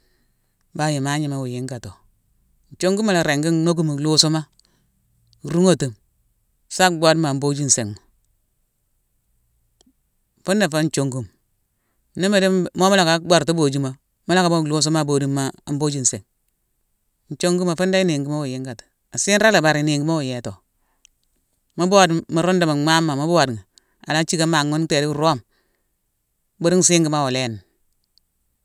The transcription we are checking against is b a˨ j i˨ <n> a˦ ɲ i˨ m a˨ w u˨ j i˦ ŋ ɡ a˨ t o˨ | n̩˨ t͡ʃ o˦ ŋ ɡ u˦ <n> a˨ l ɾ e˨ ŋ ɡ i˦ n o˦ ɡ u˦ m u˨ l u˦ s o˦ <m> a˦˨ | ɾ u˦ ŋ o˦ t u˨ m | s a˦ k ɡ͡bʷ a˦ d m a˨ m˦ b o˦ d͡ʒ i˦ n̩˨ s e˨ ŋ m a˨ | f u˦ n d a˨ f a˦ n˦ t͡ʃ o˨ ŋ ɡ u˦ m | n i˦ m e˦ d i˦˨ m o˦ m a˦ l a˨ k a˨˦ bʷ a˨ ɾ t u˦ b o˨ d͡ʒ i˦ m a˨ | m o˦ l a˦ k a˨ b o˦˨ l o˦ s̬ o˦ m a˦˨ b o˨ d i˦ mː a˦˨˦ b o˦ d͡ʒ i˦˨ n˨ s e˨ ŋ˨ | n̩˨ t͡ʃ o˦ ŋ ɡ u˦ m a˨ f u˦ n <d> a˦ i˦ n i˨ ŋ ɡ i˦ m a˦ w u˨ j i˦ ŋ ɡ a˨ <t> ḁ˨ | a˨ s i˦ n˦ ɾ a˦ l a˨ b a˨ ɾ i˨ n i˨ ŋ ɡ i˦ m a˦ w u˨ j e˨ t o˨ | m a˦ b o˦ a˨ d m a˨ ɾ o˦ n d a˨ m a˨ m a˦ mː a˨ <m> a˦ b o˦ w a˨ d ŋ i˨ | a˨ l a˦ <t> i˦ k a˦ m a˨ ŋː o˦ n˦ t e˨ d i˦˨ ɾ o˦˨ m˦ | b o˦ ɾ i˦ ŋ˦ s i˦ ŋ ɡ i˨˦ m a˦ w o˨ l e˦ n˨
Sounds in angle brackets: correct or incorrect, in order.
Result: incorrect: m, incorrect: m, correct, correct, correct, correct, incorrect: t͡ʃ

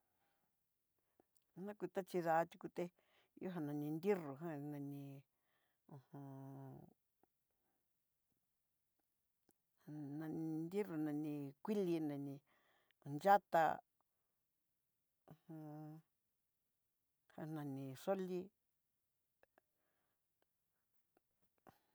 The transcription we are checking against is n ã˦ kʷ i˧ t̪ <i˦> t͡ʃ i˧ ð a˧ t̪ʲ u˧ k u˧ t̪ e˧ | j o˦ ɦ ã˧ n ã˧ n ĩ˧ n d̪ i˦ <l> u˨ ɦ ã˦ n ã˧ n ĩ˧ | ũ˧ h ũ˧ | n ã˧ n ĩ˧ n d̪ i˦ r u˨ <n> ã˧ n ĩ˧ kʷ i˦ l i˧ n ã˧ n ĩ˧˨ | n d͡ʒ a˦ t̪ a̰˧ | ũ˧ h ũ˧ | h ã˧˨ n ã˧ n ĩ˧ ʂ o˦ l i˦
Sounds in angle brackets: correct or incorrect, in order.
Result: incorrect: a˦, incorrect: r, correct

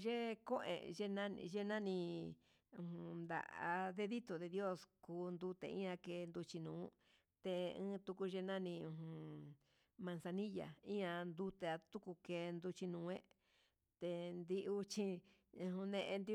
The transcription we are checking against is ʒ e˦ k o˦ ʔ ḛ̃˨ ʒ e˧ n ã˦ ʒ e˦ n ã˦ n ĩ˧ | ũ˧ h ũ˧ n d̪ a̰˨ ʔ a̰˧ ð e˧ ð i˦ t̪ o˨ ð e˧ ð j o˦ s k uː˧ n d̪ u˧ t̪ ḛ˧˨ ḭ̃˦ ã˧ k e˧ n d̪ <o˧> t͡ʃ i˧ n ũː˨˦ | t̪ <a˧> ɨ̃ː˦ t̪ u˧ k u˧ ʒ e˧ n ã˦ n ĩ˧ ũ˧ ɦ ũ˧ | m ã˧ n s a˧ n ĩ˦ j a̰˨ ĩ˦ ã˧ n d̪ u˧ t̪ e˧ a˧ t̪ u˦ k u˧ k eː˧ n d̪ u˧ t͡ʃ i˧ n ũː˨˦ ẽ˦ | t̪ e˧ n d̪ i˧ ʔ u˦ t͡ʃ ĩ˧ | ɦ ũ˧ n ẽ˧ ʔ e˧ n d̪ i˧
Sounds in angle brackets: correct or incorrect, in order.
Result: incorrect: u˧, incorrect: e˧

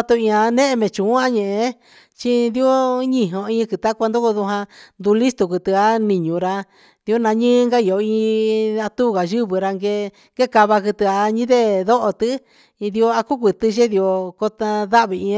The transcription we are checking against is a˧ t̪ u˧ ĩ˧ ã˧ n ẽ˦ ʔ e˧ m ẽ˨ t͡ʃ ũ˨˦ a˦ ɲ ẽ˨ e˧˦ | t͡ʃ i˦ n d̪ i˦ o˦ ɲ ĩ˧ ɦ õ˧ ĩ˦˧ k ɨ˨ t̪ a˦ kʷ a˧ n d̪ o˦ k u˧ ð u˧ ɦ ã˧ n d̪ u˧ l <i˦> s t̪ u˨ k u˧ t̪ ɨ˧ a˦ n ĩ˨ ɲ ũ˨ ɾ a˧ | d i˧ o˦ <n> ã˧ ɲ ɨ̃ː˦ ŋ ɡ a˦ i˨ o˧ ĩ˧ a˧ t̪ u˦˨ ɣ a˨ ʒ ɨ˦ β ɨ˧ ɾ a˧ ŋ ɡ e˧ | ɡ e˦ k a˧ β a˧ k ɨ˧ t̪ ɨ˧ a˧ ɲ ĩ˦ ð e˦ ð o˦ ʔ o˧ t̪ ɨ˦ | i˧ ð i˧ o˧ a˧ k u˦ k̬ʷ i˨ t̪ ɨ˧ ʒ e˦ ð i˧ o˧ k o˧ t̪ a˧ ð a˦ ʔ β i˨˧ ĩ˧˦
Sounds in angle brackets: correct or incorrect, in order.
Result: correct, correct

